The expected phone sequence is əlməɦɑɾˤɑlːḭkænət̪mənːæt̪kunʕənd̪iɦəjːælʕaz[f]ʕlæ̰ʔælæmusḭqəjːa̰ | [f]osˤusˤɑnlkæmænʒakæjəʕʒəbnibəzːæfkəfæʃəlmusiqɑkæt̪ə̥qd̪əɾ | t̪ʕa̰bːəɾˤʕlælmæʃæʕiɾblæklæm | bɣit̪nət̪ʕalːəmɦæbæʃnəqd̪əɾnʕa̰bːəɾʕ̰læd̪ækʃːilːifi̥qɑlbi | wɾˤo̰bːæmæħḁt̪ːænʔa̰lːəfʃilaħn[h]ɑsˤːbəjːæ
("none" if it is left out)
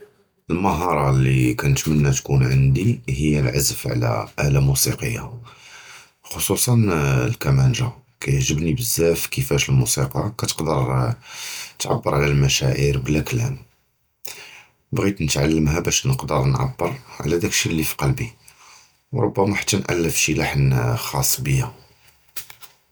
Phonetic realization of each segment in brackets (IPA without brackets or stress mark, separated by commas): f, x, x